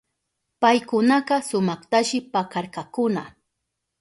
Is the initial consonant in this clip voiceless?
yes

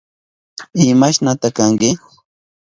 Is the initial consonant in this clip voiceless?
no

